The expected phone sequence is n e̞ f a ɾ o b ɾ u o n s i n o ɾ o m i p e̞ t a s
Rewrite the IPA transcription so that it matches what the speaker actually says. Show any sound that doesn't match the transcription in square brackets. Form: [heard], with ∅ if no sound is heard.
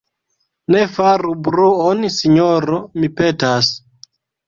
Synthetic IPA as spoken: n e̞ f a ɾ [u] b ɾ u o n s i [ɲ] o ɾ o m i p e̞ t a s